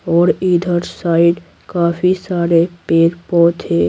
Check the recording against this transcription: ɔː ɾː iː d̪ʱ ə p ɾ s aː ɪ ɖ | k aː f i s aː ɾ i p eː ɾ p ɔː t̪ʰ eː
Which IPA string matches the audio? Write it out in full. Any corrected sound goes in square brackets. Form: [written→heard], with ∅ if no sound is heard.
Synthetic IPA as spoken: ɔː [ɾː→ɾ] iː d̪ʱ ə [p→∅] ɾ s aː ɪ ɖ | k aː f i s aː ɾ [i→e] p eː ɾ p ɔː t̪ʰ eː